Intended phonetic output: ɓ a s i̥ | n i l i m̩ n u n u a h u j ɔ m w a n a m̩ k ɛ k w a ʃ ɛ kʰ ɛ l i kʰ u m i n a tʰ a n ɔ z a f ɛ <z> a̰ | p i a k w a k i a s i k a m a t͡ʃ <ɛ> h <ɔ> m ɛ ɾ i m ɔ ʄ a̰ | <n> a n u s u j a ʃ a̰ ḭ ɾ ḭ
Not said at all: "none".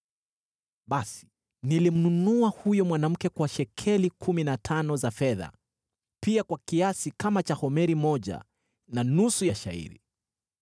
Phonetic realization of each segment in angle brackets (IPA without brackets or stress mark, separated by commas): ð, a, ɔ, n